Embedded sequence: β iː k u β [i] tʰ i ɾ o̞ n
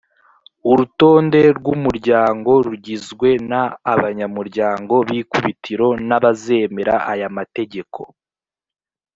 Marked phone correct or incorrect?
correct